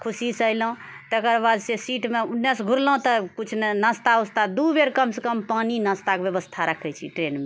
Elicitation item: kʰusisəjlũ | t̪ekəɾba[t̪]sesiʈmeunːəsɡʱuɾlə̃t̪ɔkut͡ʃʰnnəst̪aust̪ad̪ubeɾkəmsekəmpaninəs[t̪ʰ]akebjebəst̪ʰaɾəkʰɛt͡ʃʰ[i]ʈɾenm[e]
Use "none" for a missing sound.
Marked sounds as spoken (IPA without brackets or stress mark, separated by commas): d̪, t̪, i, e